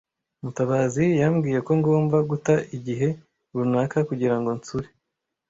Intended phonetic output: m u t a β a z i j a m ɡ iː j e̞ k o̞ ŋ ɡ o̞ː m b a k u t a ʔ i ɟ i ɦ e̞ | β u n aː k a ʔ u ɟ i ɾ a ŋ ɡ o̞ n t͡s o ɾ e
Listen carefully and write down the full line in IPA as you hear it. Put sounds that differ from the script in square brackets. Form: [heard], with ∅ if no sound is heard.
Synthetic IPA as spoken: m u t a β a z i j a m ɡ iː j e̞ k o̞ ŋ ɡ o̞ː m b a [ɡ] u t a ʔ i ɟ i ɦ e̞ | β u n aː k a [k] u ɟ i ɾ a ŋ ɡ o̞ n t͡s [u] ɾ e